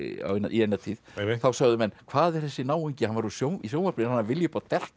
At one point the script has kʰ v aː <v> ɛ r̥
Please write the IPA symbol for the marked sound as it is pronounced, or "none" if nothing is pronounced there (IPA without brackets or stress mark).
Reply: ð